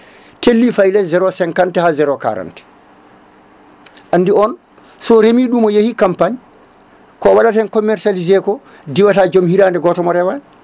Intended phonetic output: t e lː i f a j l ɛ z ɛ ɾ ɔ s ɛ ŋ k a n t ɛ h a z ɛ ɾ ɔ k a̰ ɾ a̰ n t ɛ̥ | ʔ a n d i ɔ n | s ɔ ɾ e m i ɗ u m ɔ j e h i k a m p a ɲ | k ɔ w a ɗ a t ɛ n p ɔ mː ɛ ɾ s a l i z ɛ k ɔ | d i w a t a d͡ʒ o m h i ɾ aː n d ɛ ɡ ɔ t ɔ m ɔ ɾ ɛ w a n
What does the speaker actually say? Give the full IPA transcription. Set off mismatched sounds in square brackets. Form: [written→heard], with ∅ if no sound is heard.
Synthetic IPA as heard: t e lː i f a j l ɛ z ɛ ɾ ɔ s ɛ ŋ k a n t ɛ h a z ɛ ɾ ɔ k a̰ ɾ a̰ n t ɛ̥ | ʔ a n d i ɔ n | s ɔ ɾ e m i ɗ u m ɔ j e h i k a m p a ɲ | k ɔ w a ɗ a t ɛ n [p→k] ɔ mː ɛ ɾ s a l i z ɛ k ɔ | d i w a t a d͡ʒ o m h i ɾ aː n d ɛ ɡ ɔ t ɔ m ɔ ɾ ɛ w a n

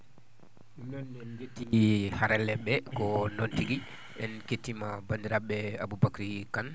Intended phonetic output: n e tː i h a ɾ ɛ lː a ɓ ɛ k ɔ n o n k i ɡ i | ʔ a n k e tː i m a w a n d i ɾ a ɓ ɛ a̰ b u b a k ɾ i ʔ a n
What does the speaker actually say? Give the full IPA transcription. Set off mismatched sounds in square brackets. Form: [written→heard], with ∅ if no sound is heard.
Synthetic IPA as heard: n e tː i h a ɾ ɛ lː [a→ɛ] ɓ ɛ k ɔ n o n [k→t] i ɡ i | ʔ [a→ɛ] n k e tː i m a [w→b] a n d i ɾ a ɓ ɛ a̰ b u b a k ɾ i [ʔ→k] a n

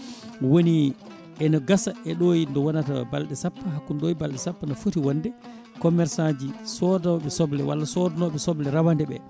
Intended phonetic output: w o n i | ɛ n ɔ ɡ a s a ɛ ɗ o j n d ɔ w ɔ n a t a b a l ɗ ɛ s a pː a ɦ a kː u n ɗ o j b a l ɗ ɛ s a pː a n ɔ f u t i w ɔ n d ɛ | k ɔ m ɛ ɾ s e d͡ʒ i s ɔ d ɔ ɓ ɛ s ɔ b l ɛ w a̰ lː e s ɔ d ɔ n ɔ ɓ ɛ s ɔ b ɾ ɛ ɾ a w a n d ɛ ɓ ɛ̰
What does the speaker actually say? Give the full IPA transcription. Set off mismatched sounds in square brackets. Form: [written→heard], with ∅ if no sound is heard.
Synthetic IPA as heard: w o n i | ɛ n ɔ ɡ a s a ɛ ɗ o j n d ɔ w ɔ n a t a b a l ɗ ɛ s a pː a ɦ a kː u n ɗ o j b a l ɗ ɛ s a pː a n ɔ f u t i w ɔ n d ɛ | k ɔ m ɛ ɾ s [e→a] d͡ʒ i s ɔ d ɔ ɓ ɛ s ɔ b l ɛ w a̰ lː [e→a] s ɔ d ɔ n ɔ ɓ ɛ s ɔ b [ɾ→l] ɛ ɾ a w a n d ɛ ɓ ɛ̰

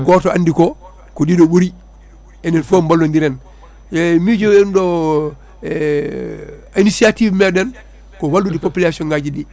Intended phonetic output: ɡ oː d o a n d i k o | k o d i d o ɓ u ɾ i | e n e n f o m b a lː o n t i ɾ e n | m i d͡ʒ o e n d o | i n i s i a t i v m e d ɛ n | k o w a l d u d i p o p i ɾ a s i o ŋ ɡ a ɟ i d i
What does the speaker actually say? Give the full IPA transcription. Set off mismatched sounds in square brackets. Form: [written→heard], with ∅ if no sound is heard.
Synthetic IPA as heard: ɡ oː [d→t] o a n d i k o | k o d i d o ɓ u ɾ i | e n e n f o m b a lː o n [t→d] i ɾ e n | m i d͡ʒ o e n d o | i n i s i a t i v m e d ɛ n | k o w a l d u d i p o p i [ɾ→l] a s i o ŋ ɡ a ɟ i d i

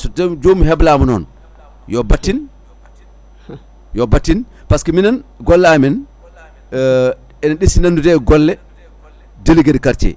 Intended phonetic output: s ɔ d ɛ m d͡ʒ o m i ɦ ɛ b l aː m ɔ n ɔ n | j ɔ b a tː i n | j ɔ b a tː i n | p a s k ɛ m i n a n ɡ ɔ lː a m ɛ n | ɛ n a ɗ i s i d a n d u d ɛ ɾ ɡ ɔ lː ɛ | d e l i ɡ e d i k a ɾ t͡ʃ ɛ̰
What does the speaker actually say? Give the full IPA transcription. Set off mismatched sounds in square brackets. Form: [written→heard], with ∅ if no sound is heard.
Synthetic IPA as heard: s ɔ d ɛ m d͡ʒ o m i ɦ ɛ b l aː m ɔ n ɔ n | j ɔ b a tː i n | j ɔ b a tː i n | p a s k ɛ m i n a n ɡ ɔ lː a m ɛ n | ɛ n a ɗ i s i [d→n] a n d u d ɛ [ɾ→∅] ɡ ɔ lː ɛ | d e l i ɡ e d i k a ɾ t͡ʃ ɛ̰

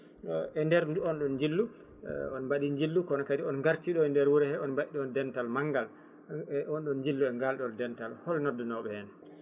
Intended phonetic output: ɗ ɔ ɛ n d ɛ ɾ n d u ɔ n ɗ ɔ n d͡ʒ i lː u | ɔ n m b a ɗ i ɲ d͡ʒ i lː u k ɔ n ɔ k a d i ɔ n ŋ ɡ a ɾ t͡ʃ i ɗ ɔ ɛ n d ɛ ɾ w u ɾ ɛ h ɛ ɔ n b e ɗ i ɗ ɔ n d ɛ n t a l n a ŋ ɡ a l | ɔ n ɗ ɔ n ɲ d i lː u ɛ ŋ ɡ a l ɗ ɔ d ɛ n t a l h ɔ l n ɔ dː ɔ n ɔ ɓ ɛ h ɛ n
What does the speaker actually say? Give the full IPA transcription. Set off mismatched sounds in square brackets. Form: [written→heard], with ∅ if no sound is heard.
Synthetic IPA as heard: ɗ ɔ ɛ n d ɛ ɾ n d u ɔ n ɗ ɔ n d͡ʒ i lː u | ɔ n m b a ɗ i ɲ d͡ʒ i lː u k ɔ n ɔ k a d i ɔ n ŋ ɡ a ɾ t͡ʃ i ɗ ɔ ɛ n d ɛ ɾ w u ɾ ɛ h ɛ ɔ n b [e→a] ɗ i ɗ ɔ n d ɛ n t a l [n→m] a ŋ ɡ a l | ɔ n ɗ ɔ n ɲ [d→d͡ʒ] i lː u ɛ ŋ ɡ a l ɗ ɔ d ɛ n t a l h ɔ l n ɔ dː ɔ n ɔ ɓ ɛ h ɛ n

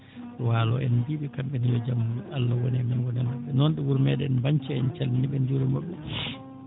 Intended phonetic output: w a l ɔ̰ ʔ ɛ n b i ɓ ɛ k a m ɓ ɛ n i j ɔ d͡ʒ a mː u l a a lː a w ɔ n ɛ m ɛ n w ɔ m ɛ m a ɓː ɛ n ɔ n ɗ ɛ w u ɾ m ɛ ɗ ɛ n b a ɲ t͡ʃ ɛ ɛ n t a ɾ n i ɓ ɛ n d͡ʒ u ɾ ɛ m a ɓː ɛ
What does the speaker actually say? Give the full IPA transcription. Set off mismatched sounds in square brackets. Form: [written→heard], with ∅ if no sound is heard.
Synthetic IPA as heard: w a l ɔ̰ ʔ ɛ n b i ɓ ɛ k a m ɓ ɛ n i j ɔ d͡ʒ a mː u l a a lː a w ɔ n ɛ m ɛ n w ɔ [m→n] ɛ m a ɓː ɛ n ɔ n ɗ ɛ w u ɾ m ɛ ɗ ɛ n b a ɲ t͡ʃ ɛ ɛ n [t→t͡ʃ] a [ɾ→l] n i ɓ ɛ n d͡ʒ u ɾ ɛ m a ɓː ɛ

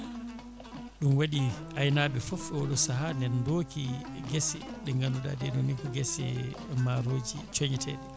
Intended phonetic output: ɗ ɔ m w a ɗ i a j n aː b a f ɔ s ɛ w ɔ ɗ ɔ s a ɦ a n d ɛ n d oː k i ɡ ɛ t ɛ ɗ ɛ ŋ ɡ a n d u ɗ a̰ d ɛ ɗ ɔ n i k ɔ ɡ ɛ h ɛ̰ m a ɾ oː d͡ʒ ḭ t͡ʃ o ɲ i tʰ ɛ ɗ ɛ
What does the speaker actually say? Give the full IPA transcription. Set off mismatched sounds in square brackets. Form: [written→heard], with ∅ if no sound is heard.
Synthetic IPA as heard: ɗ [ɔ→u] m w a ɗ i a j n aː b [a→ɛ] f ɔ [s→f] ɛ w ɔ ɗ ɔ s a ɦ a n d ɛ n d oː k i ɡ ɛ [t→s] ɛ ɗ ɛ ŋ ɡ a n d u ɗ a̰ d ɛ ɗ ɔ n i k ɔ ɡ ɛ [h→s] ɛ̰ m a ɾ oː d͡ʒ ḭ t͡ʃ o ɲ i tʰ ɛ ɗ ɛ

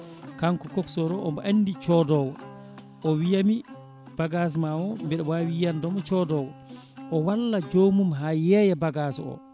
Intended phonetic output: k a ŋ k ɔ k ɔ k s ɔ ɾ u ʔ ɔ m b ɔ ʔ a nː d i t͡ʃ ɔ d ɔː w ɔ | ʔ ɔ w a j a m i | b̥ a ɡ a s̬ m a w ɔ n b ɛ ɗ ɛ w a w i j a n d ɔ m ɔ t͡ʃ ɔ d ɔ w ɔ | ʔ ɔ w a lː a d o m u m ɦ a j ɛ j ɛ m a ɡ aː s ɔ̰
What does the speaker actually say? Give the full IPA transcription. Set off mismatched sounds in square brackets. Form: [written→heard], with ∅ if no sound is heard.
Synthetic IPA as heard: k a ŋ k ɔ k ɔ k s ɔ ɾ [u→ɔ] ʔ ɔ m b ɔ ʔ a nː d i t͡ʃ ɔ d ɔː w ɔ | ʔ ɔ w [a→i] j a m i | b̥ a ɡ a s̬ m a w ɔ [n→m] b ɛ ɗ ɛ w a w i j a n d ɔ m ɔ t͡ʃ ɔ d ɔ w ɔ | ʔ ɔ w a lː a [d→d͡ʒ] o m u m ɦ a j ɛ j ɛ [m→b] a ɡ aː s ɔ̰

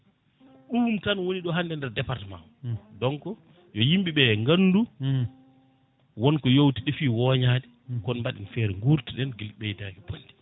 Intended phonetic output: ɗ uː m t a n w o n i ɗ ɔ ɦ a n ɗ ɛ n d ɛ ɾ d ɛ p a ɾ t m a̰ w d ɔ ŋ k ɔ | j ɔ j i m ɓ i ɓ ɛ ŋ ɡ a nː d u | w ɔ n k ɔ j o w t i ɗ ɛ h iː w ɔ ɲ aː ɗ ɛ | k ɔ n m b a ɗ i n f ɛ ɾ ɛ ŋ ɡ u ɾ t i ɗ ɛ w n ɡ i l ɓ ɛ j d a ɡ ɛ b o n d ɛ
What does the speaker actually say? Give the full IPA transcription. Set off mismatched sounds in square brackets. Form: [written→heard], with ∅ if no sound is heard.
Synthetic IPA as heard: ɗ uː m t a n w o n i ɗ ɔ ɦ a n [ɗ→d] ɛ n d ɛ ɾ d ɛ p a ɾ t m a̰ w d ɔ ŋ k ɔ | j ɔ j i m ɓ i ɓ ɛ ŋ ɡ a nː d u | w ɔ n k ɔ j o w t i ɗ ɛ [h→f] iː w ɔ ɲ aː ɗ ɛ | k ɔ n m b a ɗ i n f ɛ ɾ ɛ ŋ ɡ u ɾ t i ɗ ɛ [w→∅] n ɡ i l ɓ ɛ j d a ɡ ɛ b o n d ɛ

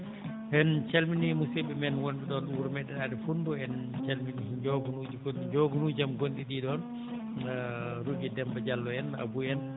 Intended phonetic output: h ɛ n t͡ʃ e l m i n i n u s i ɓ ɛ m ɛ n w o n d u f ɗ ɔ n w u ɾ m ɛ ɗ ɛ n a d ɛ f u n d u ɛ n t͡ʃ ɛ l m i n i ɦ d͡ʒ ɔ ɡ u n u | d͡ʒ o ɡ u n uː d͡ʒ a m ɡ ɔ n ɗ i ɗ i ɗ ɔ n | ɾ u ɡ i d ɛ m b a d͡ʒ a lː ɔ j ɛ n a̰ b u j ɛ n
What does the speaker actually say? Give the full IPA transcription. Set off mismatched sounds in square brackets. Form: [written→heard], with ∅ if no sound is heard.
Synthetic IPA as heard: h ɛ n t͡ʃ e l m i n i [n→m] u s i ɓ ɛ m ɛ n w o n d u [f→∅] ɗ ɔ n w u ɾ m ɛ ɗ ɛ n a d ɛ f u n d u ɛ n t͡ʃ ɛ l m i n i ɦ d͡ʒ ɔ ɡ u n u | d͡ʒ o ɡ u n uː d͡ʒ a m ɡ [ɔ→o] n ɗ i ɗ i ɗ ɔ n | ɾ u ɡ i d ɛ m b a d͡ʒ a lː ɔ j ɛ n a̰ b u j ɛ n

